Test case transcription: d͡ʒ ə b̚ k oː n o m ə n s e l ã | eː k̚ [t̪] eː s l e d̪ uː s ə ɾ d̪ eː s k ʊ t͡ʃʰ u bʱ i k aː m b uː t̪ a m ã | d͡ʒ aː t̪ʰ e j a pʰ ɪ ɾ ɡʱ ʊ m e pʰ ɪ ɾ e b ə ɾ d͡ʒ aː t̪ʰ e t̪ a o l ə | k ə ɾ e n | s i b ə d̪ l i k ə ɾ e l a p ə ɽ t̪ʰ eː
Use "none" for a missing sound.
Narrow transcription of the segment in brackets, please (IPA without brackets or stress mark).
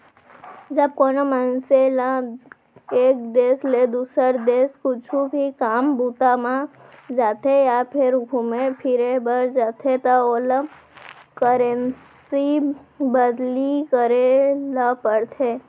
d̪